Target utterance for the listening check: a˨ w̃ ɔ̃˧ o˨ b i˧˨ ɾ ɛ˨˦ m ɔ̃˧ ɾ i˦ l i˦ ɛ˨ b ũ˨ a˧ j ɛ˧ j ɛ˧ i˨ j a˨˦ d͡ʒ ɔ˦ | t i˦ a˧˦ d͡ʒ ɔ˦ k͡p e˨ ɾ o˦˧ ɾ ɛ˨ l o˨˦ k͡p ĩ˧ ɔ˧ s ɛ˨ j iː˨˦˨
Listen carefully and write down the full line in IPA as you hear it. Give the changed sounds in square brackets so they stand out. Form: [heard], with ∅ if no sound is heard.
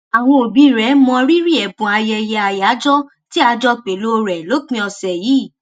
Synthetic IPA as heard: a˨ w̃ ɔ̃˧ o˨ b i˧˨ ɾ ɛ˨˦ m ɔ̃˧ ɾ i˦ [ɾ] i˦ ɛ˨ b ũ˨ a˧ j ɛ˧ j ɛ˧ [a˨] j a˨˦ d͡ʒ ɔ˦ | t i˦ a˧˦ d͡ʒ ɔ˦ k͡p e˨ [l] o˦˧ ɾ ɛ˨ l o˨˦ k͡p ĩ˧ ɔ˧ s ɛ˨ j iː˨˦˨